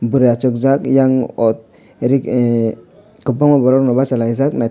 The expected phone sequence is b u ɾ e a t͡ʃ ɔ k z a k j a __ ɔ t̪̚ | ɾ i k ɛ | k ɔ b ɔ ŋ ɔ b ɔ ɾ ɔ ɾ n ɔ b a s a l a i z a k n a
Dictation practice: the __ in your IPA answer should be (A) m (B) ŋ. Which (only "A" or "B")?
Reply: B